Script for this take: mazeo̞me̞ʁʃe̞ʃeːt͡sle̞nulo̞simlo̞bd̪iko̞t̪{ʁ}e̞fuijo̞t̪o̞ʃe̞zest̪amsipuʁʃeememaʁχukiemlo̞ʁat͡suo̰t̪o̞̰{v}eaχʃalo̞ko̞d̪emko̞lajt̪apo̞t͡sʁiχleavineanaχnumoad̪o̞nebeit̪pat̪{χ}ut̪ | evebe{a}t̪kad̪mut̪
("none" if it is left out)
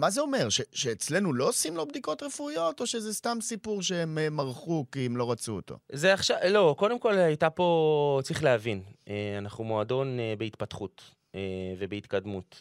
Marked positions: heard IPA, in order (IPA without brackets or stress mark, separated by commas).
ʁ, z, χ, i